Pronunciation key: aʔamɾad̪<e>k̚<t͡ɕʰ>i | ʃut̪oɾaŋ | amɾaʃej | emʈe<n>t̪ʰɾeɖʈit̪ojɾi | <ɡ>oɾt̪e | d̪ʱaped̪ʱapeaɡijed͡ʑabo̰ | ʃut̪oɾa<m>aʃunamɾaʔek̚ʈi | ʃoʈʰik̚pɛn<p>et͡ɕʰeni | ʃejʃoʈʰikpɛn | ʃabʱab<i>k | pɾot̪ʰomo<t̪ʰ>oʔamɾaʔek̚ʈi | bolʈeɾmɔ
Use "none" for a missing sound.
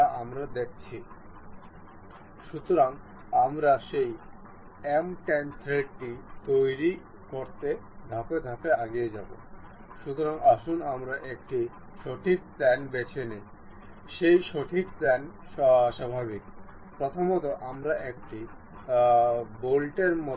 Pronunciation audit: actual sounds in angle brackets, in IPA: e, t͡ɕʰ, n, k, ŋ, b, i, t̪

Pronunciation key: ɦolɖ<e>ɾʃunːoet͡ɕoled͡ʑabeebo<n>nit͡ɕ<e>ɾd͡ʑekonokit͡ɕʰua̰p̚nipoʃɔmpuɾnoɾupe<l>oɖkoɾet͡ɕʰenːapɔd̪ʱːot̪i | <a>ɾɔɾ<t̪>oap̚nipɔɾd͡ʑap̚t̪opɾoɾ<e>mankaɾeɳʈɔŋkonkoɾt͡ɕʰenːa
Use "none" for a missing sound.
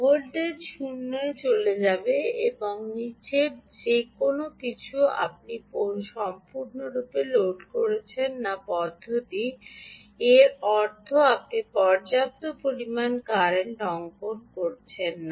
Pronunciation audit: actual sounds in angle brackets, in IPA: e, ŋ, e, l, e, t̪ʰ, i

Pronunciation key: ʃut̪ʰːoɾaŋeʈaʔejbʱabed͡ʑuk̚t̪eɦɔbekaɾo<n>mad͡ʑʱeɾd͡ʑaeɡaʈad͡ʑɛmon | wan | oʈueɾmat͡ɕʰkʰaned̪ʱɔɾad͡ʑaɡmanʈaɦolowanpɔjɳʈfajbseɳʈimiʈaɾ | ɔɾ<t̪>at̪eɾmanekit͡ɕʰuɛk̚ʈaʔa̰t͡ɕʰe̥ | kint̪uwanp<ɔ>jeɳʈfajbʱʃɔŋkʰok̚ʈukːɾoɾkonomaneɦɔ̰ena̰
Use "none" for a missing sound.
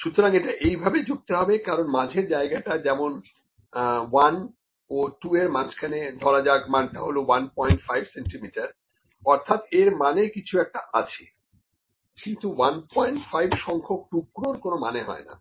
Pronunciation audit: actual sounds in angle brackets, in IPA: n, t̪ʰ, ɔ

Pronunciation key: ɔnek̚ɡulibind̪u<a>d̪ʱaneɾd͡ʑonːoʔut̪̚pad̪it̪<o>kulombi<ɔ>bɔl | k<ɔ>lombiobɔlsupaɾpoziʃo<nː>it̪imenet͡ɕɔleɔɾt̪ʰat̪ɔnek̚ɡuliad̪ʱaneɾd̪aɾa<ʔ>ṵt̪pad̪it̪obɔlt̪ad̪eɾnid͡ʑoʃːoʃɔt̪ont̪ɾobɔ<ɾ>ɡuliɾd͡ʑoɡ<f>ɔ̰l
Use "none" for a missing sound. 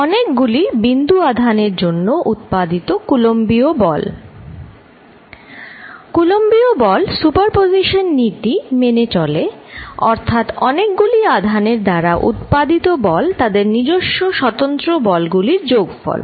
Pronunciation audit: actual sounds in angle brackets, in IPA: a, o, o, u, nː, ʔ, l, f

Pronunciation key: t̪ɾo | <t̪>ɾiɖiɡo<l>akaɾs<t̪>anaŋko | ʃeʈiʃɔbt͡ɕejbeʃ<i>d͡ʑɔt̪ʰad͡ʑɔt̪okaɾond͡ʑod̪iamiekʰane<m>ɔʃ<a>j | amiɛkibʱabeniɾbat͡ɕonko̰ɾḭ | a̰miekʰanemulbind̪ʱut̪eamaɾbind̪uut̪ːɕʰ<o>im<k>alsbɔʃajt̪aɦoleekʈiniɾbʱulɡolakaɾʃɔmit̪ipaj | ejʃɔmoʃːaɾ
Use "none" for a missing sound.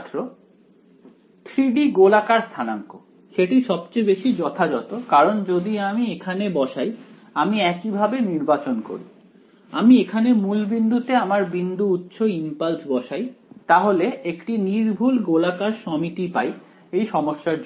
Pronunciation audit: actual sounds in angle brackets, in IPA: t̪ʰ, l, t̪ʰ, i, b, a, o, p

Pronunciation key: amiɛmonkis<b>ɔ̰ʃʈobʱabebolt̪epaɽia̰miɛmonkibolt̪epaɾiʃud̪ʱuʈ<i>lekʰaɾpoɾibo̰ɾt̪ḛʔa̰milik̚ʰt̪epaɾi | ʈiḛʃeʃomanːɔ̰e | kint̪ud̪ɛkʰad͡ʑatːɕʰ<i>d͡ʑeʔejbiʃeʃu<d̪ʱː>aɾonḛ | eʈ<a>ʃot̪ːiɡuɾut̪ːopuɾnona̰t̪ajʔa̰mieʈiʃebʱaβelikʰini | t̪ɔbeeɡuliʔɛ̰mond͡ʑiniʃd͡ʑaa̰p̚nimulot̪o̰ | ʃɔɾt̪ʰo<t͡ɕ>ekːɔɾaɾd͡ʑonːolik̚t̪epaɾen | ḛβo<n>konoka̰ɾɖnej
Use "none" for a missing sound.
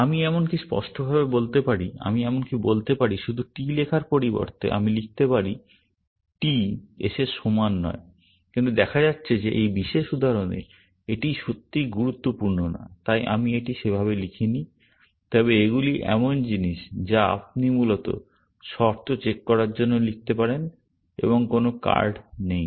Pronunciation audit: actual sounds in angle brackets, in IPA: p, i, e, d̪ʱ, i, t͡ɕ, ŋ

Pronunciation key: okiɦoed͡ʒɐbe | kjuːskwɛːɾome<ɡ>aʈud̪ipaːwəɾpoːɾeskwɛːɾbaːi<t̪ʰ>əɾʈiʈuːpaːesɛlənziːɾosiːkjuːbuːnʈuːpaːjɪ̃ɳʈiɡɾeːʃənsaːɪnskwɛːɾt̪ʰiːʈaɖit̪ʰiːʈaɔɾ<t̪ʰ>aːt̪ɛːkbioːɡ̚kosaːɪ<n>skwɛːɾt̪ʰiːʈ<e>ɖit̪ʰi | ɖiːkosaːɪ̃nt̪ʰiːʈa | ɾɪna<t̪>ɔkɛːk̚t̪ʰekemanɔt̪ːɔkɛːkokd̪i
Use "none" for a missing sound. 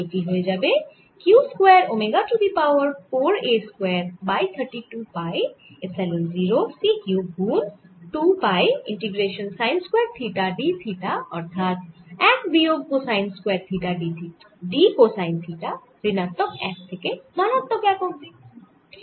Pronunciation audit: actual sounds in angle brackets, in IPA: ɡ, t̪ʰ, t̪ʰ, n, a, t̪

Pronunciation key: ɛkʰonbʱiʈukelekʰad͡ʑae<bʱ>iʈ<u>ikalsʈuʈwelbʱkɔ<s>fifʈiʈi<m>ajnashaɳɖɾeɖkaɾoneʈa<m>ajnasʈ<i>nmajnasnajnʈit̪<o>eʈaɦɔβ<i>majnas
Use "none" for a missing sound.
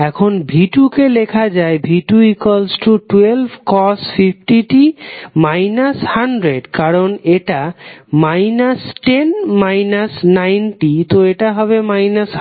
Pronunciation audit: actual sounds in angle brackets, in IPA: bʱ, u, s, m, m, e, o, e

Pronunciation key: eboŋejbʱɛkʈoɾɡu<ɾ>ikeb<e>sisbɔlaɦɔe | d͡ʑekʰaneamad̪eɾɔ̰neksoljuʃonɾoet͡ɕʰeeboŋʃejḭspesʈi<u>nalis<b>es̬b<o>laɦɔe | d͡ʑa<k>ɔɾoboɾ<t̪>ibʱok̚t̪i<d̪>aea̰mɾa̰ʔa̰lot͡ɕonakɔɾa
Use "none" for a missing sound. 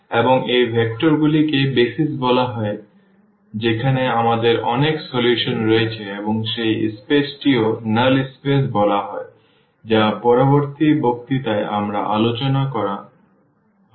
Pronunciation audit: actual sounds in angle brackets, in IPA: l, e, o, p, ɔ, p, t̪, t̪

